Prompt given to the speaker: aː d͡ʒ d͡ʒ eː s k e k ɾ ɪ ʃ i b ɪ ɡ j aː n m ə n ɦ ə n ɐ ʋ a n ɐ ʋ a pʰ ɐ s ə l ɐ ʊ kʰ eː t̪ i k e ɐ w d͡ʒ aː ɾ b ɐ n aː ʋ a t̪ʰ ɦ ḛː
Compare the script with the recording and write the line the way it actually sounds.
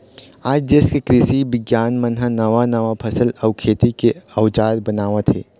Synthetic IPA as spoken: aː d͡ʒ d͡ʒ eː s k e k ɾ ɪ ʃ i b ɪ ɡ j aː n m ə n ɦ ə n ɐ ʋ a n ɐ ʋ a pʰ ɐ s ə l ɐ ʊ kʰ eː t̪ i k e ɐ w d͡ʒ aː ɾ b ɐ n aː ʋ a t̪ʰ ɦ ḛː